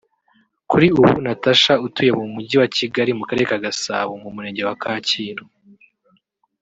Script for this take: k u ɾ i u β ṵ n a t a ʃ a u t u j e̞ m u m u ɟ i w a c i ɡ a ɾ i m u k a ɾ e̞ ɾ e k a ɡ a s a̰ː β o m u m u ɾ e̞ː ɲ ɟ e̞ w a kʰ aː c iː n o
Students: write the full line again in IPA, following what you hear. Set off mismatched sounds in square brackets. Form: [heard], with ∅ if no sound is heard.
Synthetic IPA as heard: k u ɾ i u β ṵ n a t a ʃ a u t u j e̞ m u m u ɟ i w a c i ɡ a ɾ i m u k a ɾ e̞ ɾ e k a ɡ a s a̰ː β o m u m u ɾ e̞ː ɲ ɟ e̞ w a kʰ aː c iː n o